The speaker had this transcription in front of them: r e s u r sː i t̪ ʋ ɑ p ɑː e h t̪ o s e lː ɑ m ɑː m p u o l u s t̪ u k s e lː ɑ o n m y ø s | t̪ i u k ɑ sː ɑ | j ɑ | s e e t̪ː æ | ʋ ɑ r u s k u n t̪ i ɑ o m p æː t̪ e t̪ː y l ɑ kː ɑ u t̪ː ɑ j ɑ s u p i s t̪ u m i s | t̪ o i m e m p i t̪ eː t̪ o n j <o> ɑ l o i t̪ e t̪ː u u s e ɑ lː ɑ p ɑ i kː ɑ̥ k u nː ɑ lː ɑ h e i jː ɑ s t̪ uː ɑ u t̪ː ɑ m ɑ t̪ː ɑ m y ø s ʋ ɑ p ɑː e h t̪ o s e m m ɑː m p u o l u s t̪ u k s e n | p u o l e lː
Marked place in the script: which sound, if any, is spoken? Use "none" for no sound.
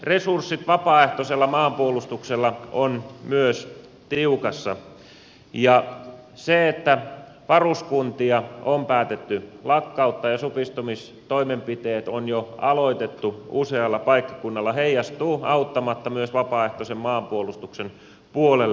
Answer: o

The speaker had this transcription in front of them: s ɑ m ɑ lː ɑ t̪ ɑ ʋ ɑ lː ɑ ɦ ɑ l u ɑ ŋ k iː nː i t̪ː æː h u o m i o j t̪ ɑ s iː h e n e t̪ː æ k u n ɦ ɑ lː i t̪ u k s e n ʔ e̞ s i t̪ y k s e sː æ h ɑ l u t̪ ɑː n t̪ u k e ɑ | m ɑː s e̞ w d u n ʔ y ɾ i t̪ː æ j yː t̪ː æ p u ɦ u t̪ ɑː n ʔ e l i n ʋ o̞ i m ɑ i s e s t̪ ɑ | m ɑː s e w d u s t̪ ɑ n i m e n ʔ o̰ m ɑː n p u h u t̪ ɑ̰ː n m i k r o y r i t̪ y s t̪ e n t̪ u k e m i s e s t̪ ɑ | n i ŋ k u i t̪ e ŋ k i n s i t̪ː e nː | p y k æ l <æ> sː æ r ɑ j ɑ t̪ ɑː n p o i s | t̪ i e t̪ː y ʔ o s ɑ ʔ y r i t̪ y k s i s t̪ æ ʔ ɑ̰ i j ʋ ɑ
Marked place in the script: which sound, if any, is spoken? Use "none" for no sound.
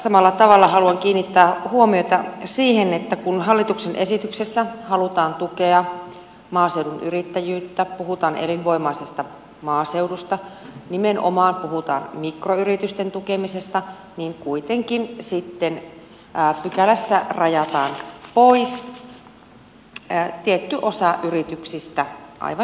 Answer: æ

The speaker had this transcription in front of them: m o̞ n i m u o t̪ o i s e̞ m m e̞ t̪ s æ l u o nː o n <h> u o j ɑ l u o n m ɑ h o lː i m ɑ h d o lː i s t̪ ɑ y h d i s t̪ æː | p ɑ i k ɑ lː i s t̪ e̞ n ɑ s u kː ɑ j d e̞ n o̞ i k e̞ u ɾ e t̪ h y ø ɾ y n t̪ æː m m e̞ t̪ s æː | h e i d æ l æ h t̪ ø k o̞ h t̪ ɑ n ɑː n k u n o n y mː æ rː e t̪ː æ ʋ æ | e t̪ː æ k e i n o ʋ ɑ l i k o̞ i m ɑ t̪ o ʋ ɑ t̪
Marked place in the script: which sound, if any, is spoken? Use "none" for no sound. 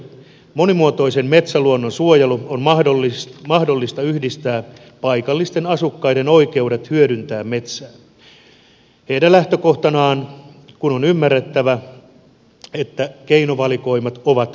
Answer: s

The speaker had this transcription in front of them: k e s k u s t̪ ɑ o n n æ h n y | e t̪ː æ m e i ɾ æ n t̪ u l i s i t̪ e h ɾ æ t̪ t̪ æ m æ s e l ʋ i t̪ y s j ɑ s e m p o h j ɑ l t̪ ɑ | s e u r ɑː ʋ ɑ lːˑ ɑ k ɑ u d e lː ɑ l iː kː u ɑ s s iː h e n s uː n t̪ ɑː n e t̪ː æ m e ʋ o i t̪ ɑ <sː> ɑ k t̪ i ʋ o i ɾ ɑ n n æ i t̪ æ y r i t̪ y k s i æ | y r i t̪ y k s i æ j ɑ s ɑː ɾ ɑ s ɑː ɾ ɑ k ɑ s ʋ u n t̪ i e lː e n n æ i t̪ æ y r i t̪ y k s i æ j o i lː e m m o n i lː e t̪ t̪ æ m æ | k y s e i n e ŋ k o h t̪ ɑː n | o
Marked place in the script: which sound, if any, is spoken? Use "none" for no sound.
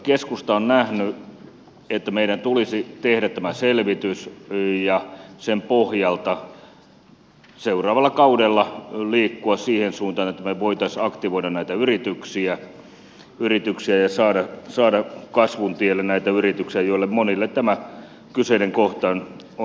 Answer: s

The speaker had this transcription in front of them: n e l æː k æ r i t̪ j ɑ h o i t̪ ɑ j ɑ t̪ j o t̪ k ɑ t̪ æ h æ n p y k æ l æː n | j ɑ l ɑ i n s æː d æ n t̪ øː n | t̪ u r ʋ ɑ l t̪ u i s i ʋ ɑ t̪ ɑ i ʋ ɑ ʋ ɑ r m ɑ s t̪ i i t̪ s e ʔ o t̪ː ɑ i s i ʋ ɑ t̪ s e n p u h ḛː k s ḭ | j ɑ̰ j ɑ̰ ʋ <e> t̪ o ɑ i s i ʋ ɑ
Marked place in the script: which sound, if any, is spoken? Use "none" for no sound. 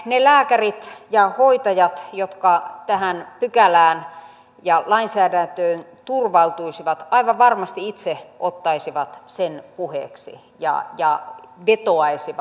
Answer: e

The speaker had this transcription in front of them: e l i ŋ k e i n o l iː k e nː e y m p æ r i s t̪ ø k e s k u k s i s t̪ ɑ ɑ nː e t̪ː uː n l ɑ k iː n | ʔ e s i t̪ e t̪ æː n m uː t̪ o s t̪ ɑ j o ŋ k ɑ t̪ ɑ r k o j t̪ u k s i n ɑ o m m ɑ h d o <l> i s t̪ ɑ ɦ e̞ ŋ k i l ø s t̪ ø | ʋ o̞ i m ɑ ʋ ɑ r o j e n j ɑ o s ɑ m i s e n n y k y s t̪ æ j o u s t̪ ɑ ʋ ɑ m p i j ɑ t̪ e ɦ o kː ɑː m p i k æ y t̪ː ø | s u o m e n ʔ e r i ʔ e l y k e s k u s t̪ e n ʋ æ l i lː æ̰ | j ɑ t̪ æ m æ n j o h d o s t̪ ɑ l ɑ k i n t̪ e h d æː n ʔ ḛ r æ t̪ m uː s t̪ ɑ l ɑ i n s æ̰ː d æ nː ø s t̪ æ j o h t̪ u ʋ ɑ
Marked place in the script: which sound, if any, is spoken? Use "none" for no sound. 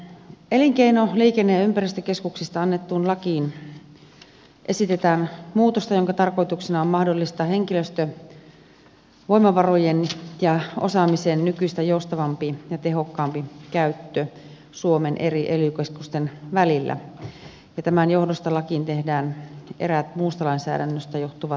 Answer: lː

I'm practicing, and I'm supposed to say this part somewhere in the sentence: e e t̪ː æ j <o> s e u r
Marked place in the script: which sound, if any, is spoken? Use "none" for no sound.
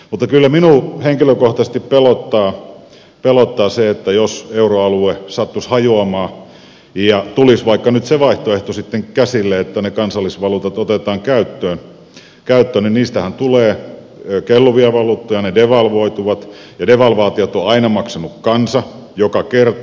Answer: o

